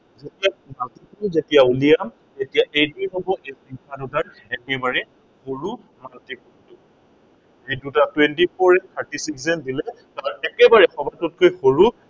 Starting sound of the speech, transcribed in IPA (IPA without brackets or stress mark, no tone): z